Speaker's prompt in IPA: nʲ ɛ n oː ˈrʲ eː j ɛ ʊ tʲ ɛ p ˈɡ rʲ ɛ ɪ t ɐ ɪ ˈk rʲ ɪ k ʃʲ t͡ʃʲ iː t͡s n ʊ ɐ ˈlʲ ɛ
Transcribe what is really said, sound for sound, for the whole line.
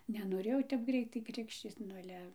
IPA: nʲ ɛ n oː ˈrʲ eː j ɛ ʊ tʲ ɛ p ˈɡ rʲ ɛ ɪ t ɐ ɪ ˈk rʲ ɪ k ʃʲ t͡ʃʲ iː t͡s n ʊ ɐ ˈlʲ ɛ